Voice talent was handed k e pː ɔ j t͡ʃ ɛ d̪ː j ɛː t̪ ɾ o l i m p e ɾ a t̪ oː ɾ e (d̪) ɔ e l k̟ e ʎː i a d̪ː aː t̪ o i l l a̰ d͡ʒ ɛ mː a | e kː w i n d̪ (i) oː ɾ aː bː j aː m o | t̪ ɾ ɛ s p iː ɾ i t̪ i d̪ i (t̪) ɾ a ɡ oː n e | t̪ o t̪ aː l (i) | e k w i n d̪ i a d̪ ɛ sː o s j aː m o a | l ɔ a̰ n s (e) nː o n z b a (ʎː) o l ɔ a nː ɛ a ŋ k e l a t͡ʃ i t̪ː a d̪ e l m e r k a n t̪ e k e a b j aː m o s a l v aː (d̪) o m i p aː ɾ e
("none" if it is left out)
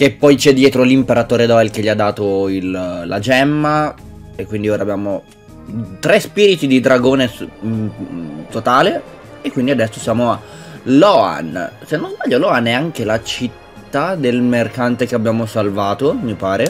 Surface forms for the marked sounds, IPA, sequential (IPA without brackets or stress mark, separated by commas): d̪, i, d̪, e, e, ʎː, t̪